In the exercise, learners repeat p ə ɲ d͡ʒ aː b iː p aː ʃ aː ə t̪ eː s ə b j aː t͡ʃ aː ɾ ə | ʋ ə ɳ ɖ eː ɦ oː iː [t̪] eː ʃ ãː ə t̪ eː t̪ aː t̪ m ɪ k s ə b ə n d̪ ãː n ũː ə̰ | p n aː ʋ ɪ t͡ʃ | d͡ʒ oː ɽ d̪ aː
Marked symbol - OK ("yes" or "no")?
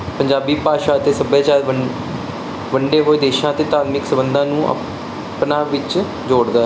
no